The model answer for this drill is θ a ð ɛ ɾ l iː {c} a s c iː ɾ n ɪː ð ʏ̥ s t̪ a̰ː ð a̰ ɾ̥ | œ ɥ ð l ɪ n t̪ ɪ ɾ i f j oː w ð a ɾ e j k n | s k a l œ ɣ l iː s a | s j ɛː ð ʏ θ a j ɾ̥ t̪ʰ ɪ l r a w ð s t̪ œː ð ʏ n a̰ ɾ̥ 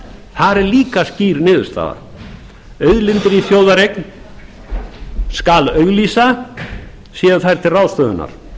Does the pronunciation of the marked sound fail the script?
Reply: yes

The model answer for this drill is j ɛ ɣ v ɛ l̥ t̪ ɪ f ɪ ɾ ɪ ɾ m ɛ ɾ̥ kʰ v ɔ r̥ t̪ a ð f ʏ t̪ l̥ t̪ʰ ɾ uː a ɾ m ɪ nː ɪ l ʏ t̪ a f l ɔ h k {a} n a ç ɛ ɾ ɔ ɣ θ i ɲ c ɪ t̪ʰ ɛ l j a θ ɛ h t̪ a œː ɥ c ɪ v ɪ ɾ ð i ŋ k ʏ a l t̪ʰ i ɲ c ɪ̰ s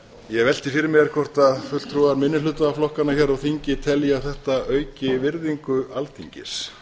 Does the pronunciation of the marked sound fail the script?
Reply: no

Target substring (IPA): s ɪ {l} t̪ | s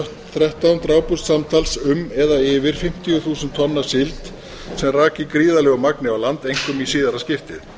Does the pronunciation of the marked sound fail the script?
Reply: no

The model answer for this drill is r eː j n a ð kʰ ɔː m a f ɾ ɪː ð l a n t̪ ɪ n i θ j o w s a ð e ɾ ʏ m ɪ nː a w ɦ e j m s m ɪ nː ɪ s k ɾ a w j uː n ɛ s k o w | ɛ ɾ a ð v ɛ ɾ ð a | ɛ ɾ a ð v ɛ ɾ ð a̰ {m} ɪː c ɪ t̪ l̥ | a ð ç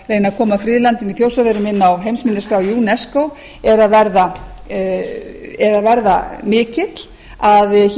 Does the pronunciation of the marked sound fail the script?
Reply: no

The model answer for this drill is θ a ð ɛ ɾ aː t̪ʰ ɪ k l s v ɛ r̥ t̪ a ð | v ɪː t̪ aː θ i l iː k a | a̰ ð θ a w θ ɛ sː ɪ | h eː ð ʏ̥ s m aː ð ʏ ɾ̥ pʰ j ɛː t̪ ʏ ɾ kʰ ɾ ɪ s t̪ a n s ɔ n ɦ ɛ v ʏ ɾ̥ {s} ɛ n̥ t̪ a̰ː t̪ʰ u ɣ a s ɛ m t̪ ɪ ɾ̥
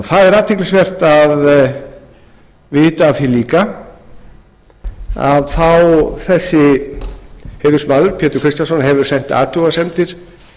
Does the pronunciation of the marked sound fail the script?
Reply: no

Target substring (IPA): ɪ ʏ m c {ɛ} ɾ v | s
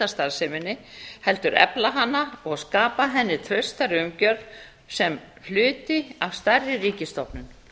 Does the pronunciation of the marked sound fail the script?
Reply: yes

